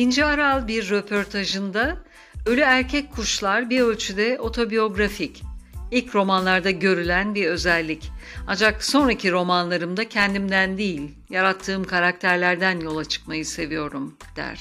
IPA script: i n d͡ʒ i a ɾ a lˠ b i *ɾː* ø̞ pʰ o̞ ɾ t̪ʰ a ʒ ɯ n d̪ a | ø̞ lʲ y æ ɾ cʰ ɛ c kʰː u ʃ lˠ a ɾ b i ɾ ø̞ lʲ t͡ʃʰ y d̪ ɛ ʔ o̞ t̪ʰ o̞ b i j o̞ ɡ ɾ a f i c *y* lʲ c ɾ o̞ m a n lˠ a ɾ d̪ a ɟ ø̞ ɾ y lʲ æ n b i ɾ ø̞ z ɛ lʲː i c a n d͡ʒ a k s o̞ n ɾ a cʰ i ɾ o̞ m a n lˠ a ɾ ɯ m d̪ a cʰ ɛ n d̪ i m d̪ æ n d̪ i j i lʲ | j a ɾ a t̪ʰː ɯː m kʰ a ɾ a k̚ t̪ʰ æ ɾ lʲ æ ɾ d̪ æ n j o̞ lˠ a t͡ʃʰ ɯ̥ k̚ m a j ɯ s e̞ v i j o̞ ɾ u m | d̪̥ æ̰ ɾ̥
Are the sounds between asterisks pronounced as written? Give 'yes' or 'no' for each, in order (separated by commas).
yes, no